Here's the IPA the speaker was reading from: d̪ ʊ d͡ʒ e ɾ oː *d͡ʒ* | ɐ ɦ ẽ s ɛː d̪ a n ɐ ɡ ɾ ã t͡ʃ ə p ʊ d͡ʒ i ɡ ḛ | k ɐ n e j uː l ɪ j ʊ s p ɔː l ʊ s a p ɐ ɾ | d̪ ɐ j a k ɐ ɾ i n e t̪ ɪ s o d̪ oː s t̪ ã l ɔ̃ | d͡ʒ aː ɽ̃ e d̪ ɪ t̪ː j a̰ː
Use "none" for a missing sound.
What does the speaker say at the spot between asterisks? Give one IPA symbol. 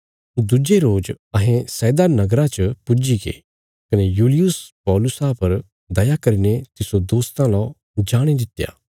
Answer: d͡ʒ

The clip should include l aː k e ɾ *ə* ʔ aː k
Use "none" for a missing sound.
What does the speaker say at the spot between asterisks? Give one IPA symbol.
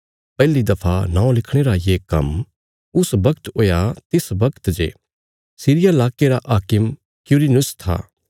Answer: a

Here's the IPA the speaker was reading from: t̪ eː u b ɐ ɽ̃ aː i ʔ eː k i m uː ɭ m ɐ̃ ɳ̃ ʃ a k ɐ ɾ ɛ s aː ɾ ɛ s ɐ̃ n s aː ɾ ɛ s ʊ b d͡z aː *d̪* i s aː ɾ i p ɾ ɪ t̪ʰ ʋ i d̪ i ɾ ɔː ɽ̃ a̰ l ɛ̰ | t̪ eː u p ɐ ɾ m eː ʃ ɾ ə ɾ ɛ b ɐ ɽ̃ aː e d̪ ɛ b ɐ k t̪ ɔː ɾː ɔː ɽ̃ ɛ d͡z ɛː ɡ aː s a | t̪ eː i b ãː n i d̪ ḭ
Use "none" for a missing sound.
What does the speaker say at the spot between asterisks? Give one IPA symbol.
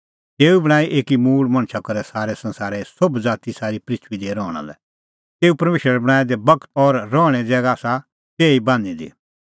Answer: t̪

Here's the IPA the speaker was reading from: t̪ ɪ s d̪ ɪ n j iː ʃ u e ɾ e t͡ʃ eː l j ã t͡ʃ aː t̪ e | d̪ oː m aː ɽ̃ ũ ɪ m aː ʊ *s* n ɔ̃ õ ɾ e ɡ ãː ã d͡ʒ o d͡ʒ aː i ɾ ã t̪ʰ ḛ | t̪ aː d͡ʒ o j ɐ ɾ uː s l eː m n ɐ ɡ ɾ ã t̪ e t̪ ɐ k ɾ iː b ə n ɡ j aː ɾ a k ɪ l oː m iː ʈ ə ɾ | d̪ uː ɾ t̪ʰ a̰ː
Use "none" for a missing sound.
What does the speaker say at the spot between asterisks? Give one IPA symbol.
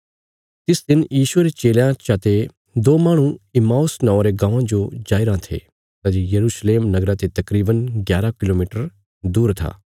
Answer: s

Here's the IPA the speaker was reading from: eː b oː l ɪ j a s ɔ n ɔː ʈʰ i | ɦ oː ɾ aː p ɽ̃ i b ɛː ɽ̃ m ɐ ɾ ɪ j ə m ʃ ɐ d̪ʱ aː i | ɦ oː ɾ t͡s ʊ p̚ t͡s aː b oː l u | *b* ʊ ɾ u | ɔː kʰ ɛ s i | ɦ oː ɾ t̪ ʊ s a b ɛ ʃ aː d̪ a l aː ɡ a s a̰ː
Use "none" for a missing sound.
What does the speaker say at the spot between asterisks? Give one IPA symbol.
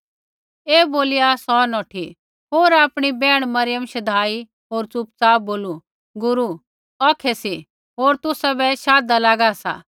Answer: ɡ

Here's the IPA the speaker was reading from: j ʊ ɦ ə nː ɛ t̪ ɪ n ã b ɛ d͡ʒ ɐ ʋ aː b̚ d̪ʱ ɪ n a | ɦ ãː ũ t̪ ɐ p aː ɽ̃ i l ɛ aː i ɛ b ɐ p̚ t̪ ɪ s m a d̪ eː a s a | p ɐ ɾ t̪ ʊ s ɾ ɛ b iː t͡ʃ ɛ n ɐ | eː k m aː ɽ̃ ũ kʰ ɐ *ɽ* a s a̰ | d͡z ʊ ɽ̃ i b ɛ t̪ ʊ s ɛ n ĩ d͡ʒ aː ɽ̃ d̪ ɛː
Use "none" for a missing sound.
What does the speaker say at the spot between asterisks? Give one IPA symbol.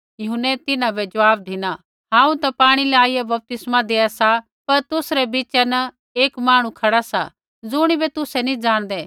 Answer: ɽ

